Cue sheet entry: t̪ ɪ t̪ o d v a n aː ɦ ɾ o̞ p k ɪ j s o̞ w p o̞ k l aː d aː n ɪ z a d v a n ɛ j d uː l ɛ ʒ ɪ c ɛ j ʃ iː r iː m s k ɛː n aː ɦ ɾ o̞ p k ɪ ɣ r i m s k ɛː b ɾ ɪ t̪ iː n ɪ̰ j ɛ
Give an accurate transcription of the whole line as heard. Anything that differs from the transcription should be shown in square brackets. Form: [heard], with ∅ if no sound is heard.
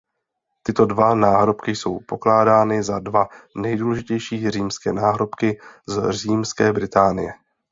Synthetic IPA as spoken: t̪ ɪ t̪ o d v a n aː ɦ ɾ o̞ p k ɪ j s o̞ w p o̞ k l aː d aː n ɪ z a d v a n ɛ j d uː l ɛ ʒ ɪ c ɛ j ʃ iː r iː m s k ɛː n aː ɦ ɾ o̞ p k ɪ [z] r [iː] m s k ɛː b ɾ ɪ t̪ [aː] n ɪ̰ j ɛ